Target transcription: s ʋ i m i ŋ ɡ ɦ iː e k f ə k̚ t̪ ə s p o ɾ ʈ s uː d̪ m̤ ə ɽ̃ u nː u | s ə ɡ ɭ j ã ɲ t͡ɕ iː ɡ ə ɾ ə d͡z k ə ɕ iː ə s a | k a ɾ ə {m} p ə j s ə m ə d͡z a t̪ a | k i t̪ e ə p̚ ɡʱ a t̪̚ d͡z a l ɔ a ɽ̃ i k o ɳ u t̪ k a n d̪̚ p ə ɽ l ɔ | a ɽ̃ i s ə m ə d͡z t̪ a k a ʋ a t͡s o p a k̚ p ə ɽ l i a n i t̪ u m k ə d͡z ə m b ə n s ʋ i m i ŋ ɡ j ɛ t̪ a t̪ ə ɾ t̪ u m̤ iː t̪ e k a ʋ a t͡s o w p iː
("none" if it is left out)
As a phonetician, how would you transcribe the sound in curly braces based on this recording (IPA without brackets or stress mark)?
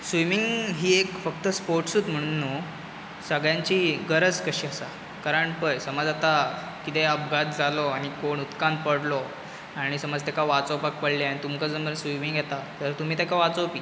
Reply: ɳ